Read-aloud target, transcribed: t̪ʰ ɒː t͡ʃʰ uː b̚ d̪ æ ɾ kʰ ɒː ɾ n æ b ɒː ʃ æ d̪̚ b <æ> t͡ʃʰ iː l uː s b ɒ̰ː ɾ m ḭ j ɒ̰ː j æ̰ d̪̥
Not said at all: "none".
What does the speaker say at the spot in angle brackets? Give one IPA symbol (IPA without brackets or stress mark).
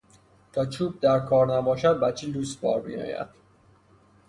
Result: æ